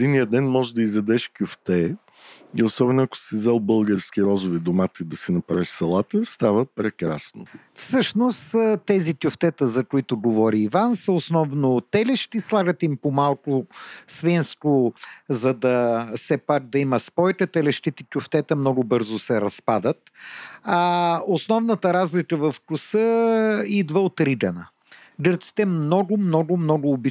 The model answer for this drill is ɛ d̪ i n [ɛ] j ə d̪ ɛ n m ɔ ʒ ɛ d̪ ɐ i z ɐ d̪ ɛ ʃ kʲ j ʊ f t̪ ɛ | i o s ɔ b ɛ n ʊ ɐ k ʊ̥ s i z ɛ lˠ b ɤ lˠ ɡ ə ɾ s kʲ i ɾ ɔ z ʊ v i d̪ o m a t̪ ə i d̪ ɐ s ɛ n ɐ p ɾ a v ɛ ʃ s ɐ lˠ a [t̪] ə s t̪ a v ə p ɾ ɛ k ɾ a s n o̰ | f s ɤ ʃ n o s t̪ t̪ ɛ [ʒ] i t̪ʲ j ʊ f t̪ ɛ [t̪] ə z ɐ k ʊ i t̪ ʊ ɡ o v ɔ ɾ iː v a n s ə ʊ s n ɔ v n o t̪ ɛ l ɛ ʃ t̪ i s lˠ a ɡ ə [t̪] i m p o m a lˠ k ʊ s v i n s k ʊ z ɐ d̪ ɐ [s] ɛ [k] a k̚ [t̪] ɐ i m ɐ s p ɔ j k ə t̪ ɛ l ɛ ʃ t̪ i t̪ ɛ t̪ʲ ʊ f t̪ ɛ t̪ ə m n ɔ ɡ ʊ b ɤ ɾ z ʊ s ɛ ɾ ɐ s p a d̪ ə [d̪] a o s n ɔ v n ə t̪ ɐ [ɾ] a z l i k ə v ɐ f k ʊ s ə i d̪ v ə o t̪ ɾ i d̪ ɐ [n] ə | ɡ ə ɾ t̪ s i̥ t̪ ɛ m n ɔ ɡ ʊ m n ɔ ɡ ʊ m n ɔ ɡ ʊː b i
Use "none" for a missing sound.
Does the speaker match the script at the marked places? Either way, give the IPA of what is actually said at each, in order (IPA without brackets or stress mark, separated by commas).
i, t̪, z, t̪, t̪, s, p, d̪, t̪, ɾ, n